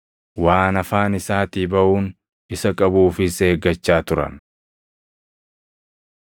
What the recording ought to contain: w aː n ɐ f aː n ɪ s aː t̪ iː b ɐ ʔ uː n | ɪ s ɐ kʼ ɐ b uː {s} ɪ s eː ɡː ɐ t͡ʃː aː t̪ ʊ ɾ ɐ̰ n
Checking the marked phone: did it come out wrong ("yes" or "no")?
yes